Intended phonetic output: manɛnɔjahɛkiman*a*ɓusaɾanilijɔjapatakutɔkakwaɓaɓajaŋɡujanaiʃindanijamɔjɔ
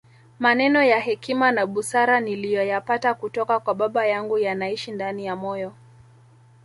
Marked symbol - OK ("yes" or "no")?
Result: yes